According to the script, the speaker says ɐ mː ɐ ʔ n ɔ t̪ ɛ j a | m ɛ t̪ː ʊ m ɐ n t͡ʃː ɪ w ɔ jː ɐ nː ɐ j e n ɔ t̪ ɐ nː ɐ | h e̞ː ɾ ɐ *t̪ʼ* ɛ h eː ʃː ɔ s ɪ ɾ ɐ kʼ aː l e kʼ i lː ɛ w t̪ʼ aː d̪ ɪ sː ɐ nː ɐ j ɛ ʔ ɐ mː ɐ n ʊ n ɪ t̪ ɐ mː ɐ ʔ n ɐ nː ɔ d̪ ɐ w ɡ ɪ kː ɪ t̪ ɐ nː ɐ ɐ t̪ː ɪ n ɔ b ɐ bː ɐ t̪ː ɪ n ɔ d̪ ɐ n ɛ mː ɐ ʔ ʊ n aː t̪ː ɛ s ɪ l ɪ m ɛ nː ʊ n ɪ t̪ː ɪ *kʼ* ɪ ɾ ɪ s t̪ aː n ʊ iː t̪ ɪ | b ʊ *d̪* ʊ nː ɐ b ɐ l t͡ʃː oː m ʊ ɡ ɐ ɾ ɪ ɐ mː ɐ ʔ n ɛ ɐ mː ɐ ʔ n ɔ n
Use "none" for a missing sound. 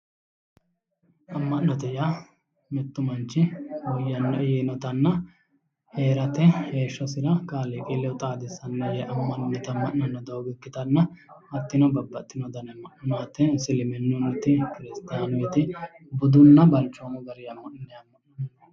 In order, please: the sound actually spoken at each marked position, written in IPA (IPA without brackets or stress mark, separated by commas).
t̪, k, d̪